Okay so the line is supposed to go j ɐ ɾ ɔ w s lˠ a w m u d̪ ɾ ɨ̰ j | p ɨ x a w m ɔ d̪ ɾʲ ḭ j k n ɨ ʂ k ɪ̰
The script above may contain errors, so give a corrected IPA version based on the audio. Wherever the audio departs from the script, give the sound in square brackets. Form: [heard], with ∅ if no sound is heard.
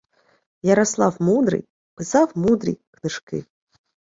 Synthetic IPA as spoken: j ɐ ɾ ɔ [∅] s lˠ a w m u d̪ ɾ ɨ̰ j | p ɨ [s] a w m [u] d̪ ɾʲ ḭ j k n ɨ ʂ k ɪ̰